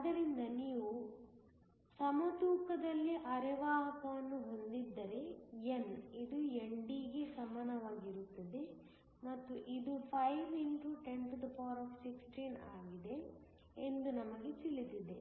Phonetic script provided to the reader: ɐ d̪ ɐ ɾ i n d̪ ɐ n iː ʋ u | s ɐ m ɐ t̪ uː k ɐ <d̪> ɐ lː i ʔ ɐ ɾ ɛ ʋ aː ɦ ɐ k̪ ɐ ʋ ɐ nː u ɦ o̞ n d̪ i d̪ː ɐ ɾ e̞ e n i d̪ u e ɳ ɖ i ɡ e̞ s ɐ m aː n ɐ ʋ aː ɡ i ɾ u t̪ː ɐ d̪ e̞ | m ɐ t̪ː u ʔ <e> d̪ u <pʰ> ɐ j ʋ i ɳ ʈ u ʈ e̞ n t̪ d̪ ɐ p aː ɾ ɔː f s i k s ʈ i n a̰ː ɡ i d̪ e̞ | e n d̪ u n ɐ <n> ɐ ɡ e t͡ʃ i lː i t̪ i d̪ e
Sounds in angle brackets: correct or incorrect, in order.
correct, incorrect, correct, incorrect

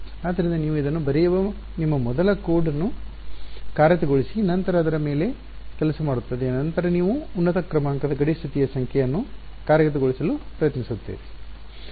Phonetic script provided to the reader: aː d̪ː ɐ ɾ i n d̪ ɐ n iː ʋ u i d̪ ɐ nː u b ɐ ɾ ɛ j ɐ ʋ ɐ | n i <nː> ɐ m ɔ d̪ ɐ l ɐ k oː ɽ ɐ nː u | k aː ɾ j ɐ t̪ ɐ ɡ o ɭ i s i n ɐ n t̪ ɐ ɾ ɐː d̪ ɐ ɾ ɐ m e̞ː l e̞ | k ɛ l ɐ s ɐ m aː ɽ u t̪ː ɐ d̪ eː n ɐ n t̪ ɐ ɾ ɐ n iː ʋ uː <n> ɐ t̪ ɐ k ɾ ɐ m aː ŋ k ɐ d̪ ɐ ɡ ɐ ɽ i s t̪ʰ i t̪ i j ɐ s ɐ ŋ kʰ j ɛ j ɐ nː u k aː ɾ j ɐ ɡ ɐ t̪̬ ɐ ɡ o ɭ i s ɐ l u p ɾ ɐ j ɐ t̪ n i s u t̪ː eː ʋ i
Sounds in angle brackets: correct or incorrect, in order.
incorrect, incorrect

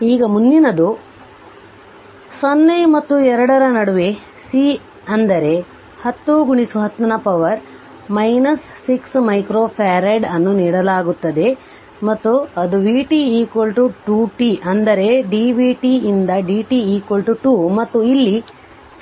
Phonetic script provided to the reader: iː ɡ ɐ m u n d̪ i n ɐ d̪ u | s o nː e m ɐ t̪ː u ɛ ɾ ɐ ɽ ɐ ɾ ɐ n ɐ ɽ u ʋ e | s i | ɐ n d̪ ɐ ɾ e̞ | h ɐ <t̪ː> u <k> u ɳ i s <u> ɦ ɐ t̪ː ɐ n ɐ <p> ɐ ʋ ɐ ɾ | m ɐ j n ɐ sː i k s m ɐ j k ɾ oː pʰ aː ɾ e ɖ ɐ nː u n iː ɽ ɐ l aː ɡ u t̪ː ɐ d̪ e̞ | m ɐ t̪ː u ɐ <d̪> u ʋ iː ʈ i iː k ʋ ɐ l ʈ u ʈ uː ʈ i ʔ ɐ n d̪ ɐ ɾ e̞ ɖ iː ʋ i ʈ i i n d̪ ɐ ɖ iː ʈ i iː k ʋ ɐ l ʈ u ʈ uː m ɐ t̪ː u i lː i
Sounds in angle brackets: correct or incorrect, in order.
correct, incorrect, correct, correct, correct

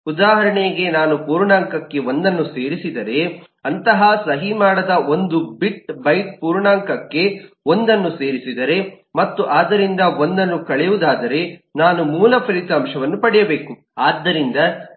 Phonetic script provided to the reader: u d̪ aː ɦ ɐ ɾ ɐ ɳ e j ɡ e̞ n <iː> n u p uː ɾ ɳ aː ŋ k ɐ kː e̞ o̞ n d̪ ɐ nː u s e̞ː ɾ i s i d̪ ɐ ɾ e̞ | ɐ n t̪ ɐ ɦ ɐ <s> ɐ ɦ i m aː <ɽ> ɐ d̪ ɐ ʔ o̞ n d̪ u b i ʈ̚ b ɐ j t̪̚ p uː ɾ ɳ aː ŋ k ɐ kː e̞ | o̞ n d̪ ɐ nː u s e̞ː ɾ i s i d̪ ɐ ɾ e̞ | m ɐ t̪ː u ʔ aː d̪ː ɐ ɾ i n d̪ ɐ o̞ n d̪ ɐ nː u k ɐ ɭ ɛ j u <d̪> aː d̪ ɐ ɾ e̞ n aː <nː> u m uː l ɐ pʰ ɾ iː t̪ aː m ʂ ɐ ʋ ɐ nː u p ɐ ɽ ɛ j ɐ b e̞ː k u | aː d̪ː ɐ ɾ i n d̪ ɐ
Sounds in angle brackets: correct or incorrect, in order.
incorrect, correct, correct, correct, incorrect

